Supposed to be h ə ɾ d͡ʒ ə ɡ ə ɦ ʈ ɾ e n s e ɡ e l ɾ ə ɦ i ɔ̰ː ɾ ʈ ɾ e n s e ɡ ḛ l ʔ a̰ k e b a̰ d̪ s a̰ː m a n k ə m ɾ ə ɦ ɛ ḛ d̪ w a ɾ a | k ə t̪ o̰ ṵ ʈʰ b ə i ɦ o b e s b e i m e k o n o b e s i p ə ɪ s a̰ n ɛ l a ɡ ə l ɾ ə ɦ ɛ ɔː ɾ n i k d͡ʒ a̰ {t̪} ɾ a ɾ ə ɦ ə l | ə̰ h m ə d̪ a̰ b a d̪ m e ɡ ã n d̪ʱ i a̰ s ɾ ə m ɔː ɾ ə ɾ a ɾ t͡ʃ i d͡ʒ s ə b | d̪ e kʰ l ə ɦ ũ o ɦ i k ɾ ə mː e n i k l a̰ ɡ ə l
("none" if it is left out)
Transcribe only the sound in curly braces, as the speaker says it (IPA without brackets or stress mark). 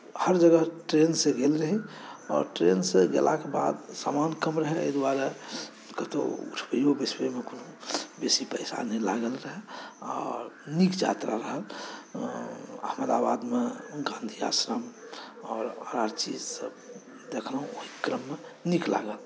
t̪